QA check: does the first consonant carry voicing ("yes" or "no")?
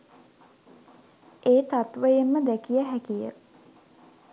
no